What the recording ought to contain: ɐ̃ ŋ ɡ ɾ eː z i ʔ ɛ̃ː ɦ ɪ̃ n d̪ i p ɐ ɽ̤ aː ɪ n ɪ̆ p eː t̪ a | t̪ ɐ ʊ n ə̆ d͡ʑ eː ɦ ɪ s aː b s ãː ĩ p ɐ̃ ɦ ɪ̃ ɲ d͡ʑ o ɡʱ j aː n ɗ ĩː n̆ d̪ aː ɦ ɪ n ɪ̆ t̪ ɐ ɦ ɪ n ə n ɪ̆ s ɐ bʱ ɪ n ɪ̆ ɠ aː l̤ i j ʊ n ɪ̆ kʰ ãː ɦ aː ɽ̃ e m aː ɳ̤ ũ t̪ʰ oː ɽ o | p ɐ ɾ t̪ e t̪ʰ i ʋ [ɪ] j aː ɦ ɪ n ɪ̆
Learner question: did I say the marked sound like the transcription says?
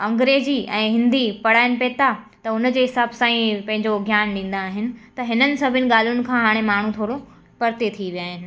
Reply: no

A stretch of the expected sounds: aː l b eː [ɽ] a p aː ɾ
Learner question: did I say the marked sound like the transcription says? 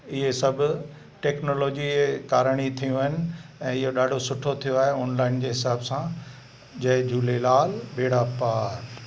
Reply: yes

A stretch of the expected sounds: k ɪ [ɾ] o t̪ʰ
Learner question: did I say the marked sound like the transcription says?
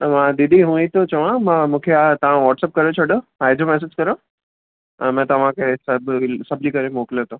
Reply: no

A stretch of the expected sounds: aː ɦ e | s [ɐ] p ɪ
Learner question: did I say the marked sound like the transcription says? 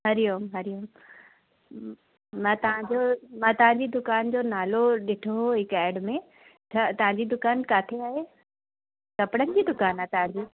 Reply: yes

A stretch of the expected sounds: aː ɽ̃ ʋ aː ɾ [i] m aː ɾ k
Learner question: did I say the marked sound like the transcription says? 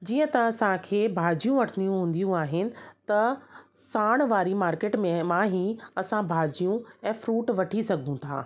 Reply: yes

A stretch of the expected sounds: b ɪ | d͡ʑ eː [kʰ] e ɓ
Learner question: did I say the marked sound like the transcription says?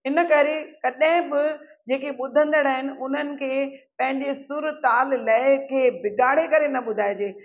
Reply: no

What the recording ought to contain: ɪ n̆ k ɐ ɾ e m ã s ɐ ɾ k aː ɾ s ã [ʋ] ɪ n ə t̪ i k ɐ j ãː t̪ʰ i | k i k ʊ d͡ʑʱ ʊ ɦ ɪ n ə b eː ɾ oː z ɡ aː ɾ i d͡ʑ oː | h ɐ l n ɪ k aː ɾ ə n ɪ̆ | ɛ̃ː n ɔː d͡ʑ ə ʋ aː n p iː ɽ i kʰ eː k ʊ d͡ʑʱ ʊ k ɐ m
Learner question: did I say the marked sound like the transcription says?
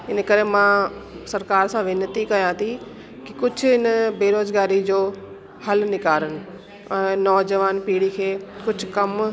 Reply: yes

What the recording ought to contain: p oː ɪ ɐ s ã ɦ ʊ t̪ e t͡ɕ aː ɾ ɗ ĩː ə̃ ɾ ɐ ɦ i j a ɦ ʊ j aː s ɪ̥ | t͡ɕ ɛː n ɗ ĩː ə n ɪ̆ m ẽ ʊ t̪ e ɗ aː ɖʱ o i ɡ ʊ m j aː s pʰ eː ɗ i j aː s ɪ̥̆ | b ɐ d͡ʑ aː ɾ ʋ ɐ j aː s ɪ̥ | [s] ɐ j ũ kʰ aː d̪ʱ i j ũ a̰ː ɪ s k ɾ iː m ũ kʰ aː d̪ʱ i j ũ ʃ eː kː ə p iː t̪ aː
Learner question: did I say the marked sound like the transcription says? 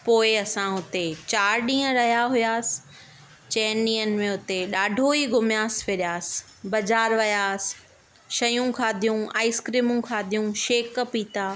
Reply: no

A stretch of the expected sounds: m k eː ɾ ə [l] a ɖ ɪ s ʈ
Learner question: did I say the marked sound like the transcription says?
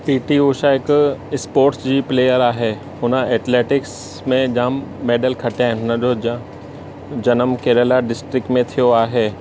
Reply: yes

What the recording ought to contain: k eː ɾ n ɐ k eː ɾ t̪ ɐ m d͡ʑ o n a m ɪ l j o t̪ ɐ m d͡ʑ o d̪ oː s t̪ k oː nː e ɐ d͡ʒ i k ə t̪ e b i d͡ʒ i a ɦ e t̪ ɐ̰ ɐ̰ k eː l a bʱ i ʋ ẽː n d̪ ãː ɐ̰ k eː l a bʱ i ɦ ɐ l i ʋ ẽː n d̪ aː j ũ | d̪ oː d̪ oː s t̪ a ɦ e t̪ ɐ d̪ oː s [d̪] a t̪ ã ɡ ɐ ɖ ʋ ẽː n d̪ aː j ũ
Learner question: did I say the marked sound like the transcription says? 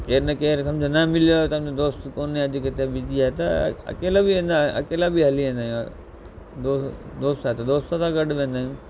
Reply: no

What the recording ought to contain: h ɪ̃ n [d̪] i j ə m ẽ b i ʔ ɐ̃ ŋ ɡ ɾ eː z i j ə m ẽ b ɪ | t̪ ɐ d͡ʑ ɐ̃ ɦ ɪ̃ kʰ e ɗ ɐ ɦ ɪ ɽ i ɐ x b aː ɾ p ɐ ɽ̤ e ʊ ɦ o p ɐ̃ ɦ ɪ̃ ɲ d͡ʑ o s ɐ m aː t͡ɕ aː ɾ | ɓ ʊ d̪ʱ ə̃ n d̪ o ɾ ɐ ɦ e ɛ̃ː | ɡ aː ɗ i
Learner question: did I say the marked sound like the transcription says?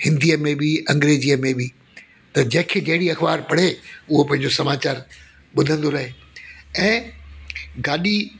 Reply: yes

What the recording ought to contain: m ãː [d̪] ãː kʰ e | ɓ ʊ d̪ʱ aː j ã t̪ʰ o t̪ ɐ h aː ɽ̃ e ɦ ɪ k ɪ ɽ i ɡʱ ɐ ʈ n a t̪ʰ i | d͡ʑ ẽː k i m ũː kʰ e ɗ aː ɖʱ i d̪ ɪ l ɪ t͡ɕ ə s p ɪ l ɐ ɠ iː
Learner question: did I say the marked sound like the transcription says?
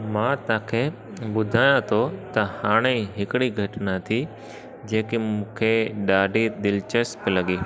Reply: no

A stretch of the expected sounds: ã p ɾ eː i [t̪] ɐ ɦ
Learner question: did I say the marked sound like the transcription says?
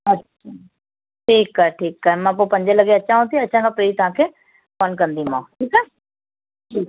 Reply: yes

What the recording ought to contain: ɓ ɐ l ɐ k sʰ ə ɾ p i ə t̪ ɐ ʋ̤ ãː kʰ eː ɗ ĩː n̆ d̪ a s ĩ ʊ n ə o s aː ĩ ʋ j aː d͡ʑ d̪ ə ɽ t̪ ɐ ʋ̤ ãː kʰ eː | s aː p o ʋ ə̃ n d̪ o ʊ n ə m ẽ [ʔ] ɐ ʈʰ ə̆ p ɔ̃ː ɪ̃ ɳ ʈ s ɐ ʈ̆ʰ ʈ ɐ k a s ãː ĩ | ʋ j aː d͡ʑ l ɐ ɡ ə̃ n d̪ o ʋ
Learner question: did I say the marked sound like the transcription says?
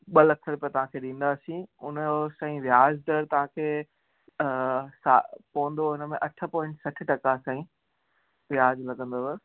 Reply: yes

